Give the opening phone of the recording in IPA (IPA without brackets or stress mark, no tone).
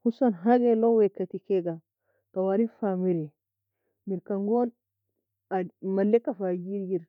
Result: h